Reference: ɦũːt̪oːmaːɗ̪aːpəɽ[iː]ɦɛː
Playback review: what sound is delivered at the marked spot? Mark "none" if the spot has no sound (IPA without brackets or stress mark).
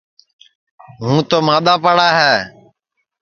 aː